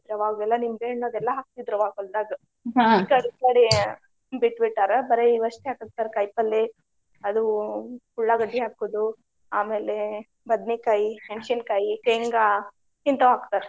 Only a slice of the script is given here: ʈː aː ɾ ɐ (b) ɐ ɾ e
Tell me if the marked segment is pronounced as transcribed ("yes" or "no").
yes